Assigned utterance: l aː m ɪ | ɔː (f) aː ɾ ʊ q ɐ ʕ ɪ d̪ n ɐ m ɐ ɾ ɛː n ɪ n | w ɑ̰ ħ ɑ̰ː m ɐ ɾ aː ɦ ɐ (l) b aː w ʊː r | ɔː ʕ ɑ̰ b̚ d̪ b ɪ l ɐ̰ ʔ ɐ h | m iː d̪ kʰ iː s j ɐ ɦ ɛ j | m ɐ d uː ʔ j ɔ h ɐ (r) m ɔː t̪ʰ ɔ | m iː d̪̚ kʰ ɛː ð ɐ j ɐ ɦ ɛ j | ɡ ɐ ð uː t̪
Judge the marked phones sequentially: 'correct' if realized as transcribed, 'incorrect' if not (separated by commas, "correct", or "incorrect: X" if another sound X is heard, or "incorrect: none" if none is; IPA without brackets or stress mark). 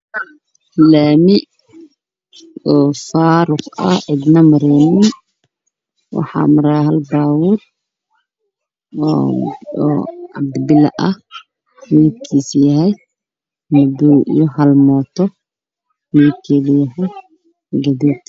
correct, correct, incorrect: l